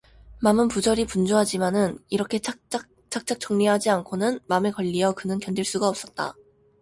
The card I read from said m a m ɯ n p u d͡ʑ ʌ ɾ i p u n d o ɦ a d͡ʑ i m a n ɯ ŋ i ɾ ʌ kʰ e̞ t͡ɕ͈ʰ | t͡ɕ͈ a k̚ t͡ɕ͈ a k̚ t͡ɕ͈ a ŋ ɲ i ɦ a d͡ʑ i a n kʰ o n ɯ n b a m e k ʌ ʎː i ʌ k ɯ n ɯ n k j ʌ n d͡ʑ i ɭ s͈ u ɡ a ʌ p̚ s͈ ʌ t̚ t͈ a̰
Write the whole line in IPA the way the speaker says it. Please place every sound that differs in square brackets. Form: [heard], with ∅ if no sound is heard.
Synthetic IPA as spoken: m a m ɯ n p u d͡ʑ ʌ ɾ i p u n [d͡ʑ] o ɦ a d͡ʑ i m a n ɯ [n] i ɾ ʌ kʰ e̞ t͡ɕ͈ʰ | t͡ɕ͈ a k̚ t͡ɕ͈ a k̚ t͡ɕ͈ [ʌ] ŋ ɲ i ɦ a d͡ʑ i a n kʰ o n ɯ n [m] a m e k ʌ ʎː i ʌ k ɯ n ɯ n k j ʌ n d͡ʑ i ɭ s͈ u ɡ a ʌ p̚ s͈ ʌ t̚ t͈ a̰